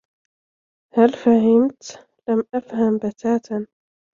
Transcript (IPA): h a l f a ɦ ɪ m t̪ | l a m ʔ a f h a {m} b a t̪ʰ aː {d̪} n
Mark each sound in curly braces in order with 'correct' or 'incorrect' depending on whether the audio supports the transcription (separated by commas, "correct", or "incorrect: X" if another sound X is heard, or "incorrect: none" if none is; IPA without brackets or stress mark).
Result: correct, incorrect: t̪